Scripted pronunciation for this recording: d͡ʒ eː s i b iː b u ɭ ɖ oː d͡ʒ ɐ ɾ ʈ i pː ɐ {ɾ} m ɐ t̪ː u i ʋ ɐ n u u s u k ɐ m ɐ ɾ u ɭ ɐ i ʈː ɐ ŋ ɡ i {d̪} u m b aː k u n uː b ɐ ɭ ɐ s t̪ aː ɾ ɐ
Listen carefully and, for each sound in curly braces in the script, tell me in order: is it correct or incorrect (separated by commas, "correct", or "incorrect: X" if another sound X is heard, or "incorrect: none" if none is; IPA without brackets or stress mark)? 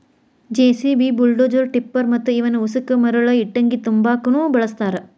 correct, incorrect: t̪